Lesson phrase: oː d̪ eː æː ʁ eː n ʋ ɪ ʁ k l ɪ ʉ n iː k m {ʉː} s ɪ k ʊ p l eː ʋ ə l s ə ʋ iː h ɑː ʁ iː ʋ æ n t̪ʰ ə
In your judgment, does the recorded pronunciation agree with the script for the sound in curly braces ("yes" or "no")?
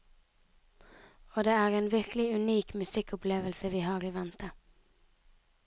no